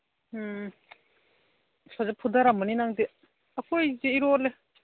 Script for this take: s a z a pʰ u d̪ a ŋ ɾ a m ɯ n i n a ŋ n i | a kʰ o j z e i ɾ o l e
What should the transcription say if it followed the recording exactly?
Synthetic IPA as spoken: s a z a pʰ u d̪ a ɾ a m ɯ n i n a ŋ d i | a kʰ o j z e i ɾ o l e